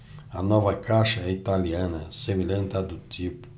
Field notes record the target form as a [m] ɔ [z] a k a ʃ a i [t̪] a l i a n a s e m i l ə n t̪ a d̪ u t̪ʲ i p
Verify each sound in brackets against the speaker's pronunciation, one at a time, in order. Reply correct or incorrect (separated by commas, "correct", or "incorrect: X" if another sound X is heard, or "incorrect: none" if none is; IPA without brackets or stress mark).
incorrect: n, incorrect: v, correct